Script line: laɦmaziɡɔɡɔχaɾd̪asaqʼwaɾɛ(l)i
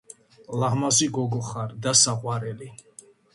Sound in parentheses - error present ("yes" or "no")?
no